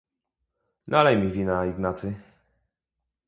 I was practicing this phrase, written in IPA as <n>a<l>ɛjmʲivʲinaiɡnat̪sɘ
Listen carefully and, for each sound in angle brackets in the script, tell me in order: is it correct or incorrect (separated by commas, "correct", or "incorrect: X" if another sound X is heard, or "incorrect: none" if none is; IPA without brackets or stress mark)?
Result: correct, correct